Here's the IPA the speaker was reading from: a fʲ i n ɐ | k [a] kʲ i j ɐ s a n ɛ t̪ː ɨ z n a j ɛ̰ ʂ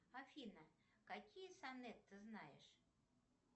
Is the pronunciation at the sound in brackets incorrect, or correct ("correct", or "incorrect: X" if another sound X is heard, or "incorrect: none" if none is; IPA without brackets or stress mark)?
correct